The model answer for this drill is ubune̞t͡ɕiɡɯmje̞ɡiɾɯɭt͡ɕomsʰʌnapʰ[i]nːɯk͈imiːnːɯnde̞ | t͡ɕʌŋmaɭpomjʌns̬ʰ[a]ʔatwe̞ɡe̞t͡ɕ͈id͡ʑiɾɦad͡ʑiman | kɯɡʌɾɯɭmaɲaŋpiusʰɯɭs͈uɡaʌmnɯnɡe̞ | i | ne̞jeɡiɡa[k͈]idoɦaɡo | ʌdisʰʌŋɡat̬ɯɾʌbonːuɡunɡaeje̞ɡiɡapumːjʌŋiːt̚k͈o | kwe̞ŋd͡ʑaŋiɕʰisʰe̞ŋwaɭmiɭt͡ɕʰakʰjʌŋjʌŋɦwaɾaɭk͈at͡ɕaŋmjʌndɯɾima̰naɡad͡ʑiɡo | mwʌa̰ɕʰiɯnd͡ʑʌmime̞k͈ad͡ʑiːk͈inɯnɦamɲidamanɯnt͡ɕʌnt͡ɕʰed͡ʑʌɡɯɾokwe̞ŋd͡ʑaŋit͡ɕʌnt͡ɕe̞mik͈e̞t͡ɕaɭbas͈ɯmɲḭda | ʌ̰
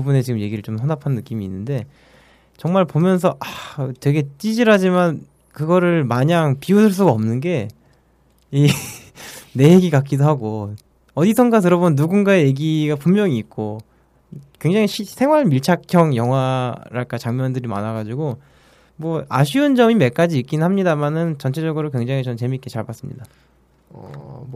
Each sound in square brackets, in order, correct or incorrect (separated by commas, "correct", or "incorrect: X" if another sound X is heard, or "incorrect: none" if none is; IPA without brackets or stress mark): incorrect: a, incorrect: ʌ, correct